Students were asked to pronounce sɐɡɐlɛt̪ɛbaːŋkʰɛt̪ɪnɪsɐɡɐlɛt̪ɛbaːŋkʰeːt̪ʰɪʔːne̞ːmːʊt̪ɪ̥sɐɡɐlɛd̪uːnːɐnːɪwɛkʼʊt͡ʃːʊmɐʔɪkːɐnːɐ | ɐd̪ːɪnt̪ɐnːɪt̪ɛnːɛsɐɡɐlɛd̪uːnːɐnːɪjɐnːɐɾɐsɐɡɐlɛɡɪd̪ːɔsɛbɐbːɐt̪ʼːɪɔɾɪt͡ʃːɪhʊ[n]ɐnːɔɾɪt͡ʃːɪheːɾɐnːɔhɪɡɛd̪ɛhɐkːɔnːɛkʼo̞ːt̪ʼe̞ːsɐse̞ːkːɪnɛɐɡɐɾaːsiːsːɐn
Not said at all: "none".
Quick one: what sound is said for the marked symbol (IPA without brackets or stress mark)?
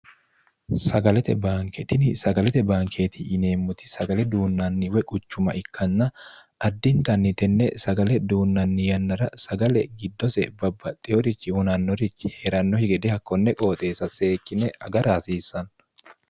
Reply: n